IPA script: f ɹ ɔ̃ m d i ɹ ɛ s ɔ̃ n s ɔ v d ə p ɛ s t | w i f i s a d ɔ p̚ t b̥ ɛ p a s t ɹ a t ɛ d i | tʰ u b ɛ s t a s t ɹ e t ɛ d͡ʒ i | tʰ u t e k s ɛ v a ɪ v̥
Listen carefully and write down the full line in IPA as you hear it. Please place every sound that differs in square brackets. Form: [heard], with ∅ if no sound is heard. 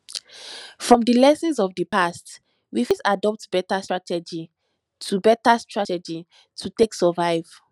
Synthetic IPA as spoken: f ɹ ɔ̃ m d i [l] ɛ s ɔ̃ n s ɔ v d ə p [a] s t | w i f i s a d ɔ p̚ t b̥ ɛ [t] a s t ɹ a t ɛ [d͡ʒ] i | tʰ u b ɛ [∅] t a s t ɹ [a] t ɛ d͡ʒ i | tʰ u t e k s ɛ v a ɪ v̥